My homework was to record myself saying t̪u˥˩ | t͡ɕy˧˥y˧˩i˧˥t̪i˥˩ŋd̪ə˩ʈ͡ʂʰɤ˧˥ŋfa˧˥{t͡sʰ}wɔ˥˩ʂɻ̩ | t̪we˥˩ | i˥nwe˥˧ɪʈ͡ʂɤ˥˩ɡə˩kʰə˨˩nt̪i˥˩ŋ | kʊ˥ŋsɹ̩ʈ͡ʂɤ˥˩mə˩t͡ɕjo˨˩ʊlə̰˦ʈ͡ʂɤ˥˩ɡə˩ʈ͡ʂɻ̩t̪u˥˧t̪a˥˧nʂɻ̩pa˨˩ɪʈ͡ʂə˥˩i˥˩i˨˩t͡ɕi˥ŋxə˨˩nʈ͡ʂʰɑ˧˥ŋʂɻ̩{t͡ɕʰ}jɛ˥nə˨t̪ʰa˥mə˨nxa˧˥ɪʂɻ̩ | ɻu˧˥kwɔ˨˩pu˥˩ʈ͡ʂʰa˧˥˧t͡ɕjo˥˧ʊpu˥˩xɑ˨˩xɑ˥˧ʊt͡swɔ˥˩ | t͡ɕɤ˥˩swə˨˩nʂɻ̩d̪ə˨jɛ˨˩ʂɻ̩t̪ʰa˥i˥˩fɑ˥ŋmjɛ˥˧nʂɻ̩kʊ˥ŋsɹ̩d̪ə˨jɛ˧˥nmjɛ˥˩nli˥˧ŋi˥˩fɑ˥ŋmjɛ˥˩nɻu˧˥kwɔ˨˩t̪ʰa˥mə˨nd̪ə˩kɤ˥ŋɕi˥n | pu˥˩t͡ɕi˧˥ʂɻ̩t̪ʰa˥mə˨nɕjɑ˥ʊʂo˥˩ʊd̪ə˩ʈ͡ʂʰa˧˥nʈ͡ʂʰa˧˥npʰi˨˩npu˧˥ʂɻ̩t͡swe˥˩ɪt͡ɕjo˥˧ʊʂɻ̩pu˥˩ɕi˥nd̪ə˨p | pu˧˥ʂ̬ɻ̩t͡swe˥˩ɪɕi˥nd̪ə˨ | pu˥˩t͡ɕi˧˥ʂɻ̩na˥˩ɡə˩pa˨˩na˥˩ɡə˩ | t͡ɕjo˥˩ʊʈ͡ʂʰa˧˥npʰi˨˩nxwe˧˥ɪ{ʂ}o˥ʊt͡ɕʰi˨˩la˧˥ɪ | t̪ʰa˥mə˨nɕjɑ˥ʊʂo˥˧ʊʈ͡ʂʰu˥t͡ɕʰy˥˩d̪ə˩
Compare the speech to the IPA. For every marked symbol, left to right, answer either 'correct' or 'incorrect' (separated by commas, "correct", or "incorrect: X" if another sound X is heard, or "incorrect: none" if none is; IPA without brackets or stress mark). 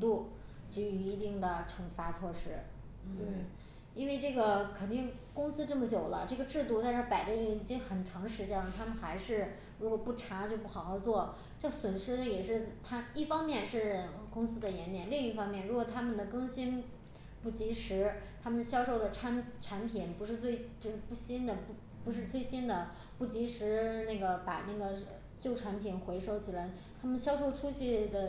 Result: correct, incorrect: t͡ɕ, correct